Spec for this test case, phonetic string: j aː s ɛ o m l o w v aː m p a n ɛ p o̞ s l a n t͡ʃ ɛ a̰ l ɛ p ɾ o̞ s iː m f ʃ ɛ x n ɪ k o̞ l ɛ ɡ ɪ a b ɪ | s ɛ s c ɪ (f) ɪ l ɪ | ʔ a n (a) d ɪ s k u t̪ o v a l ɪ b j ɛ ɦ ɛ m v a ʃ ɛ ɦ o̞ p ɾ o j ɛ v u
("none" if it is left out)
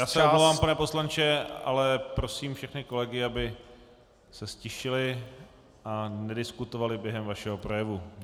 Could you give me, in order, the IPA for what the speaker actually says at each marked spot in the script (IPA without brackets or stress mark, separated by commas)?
ʃ, ɛ